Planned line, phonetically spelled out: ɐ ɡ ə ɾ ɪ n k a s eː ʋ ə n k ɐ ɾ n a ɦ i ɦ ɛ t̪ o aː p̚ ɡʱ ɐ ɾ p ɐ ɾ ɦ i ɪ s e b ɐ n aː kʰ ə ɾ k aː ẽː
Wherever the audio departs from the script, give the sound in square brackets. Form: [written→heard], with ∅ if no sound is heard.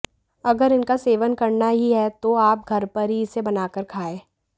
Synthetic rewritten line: ɐ ɡ ə ɾ ɪ n k a s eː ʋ ə n k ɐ ɾ n a ɦ i ɦ ɛ t̪ o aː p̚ ɡʱ ɐ ɾ p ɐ ɾ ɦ i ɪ s e b ɐ n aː [kʰ→k] ə ɾ [k→kʰ] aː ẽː

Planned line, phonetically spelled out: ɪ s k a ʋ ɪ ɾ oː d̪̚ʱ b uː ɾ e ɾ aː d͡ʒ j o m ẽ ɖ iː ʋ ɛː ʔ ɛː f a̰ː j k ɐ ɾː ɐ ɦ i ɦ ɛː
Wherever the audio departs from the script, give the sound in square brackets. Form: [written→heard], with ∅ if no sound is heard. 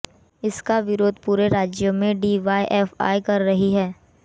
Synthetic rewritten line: ɪ s k a ʋ ɪ ɾ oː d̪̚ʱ [b→p] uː ɾ e ɾ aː d͡ʒ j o m ẽ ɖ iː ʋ [ɛː→aː] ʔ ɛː f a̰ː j k ɐ ɾː ɐ ɦ i ɦ ɛː

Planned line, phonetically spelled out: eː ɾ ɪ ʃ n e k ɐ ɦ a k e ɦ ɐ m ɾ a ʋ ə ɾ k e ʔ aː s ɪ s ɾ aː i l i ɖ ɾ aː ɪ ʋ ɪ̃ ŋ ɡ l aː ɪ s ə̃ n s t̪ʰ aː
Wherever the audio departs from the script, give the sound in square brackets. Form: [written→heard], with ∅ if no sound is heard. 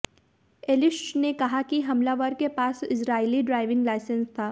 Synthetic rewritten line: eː [ɾ→l] ɪ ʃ n e k ɐ ɦ a k [e→i] ɦ ɐ m [ɾ→l] a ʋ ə ɾ k e [ʔ→p] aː s ɪ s ɾ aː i l i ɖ ɾ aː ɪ ʋ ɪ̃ ŋ ɡ l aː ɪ s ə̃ n s t̪ʰ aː

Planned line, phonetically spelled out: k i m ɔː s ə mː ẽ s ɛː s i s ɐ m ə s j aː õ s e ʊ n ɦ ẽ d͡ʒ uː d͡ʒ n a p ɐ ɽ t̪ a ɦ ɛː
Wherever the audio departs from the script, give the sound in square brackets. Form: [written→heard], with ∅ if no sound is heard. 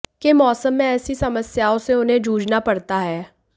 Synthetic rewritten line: k [i→e] m ɔː s ə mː ẽ [s→∅] ɛː s i s ɐ m ə s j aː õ s e ʊ n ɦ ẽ d͡ʒ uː d͡ʒ n a p ɐ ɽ t̪ a ɦ ɛː

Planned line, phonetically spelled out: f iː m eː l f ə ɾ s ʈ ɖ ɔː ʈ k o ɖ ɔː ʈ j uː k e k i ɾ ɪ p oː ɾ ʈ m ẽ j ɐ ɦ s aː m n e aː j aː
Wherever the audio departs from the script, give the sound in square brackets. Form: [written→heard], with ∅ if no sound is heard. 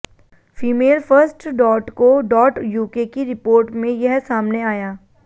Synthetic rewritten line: f iː m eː l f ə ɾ s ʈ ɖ ɔː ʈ k o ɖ ɔː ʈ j uː k e k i ɾ ɪ p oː ɾ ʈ m ẽ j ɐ ɦ s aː m n e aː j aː

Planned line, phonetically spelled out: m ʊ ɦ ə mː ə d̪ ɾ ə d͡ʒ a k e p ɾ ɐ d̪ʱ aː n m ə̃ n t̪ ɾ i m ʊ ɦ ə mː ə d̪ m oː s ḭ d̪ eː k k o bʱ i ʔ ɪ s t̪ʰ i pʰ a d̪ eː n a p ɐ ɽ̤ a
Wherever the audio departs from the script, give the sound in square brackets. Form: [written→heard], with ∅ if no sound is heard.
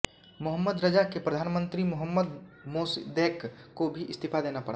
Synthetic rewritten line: m ʊ ɦ ə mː ə d̪ ɾ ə d͡ʒ a k e p ɾ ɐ d̪ʱ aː n m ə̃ n t̪ ɾ i m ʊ ɦ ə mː ə d̪ m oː s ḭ d̪ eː k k o bʱ i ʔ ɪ s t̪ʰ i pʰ a d̪ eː n a p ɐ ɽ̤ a

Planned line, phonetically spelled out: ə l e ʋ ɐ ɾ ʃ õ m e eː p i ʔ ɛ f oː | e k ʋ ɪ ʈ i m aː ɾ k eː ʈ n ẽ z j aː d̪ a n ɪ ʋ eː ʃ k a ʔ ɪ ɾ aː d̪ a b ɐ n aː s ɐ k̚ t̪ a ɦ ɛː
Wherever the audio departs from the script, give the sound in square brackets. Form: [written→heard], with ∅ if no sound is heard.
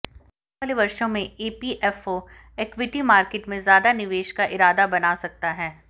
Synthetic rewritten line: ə l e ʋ ɐ ɾ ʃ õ m [e→ẽ] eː p i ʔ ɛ f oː | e k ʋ ɪ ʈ i m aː ɾ k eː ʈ [n→m] ẽ z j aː d̪ a n ɪ ʋ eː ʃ k a ʔ ɪ ɾ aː d̪ a b ɐ n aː s ɐ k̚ t̪ a ɦ ɛː

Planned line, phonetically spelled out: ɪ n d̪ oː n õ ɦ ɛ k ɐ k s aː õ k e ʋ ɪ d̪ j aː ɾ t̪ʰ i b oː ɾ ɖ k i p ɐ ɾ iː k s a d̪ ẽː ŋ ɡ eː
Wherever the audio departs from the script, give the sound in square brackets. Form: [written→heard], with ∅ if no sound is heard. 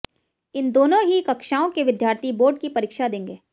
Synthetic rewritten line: ɪ n d̪ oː n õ ɦ [ɛ→i] k ɐ k [s→ʃ] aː õ k e ʋ ɪ d̪ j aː ɾ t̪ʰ i b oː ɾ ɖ k i p ɐ ɾ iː k [s→ʃ] a d̪ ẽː ŋ ɡ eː

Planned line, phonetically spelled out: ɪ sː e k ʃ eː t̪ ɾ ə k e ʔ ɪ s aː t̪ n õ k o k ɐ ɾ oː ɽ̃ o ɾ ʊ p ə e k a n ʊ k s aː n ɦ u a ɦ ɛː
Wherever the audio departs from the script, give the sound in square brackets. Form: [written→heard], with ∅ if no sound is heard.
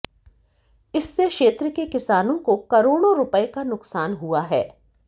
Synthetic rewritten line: ɪ sː e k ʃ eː t̪ ɾ ə k e [ʔ→k] ɪ s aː [t̪→∅] n õ k o k ɐ ɾ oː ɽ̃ o ɾ ʊ p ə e k a n ʊ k s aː n ɦ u a ɦ ɛː

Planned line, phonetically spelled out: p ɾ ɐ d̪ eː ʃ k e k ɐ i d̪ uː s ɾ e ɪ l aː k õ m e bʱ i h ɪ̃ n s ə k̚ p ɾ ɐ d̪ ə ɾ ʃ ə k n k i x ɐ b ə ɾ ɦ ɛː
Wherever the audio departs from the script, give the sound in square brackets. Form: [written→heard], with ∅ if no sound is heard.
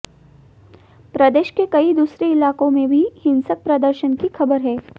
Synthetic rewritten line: p ɾ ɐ d̪ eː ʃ k e k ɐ i d̪ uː s ɾ e ɪ l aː k õ m [e→ẽ] bʱ i h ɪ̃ n s ə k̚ p ɾ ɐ d̪ ə ɾ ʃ ə [k→∅] n k i x ɐ b ə ɾ ɦ ɛː

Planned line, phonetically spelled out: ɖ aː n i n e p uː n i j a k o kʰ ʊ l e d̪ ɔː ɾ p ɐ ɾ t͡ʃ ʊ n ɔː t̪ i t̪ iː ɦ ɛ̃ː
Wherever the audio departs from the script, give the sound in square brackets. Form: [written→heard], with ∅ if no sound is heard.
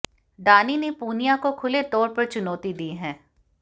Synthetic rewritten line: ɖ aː n i n e p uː n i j a k o kʰ ʊ l e [d̪→t̪] ɔː ɾ p ɐ ɾ t͡ʃ ʊ n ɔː t̪ i [t̪→d̪] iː ɦ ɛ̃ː

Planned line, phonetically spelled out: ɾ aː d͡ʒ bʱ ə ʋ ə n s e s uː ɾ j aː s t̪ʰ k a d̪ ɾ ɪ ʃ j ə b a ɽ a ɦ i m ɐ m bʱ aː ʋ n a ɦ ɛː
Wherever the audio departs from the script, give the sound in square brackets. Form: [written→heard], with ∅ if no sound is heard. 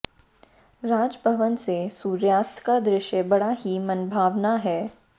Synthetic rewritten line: ɾ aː d͡ʒ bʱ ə ʋ ə n s e s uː ɾ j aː s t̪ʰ k a d̪ ɾ ɪ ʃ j ə b [a→ɐ] ɽ a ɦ i m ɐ [m→n] bʱ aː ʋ n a ɦ ɛː

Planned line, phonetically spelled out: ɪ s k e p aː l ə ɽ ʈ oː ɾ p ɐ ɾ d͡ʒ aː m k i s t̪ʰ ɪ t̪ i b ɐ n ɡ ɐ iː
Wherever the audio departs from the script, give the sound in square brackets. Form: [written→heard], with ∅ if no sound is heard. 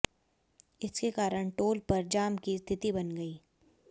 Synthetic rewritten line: ɪ s k e [p→k] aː [l→ɾ] ə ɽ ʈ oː [ɾ→l] p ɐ ɾ d͡ʒ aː m k i s t̪ʰ ɪ t̪ i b ɐ n ɡ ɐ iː

